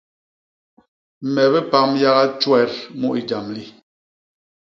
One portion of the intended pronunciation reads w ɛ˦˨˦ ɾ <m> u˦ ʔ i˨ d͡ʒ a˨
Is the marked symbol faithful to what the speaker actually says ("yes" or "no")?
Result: yes